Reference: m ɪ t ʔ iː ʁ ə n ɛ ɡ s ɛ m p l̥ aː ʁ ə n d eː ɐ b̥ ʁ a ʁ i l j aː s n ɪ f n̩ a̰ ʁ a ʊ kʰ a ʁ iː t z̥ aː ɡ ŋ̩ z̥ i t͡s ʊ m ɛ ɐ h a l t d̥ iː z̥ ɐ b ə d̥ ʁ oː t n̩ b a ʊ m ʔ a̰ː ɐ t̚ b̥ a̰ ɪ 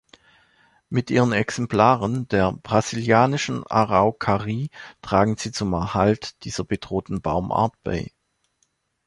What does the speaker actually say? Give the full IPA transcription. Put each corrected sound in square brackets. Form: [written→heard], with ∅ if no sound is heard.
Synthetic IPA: m ɪ t ʔ iː ʁ ə n ɛ [ɡ→k] s ɛ m p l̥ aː ʁ ə n d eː ɐ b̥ ʁ a [ʁ→z] i l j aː [s→∅] n ɪ [f→ʃ] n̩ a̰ ʁ a ʊ kʰ a ʁ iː t [z̥→ʁ̥] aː ɡ ŋ̩ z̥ [i→iː] t͡s ʊ m ɛ ɐ h a l t d̥ iː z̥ ɐ b ə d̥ ʁ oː t n̩ b a ʊ m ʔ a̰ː ɐ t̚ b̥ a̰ ɪ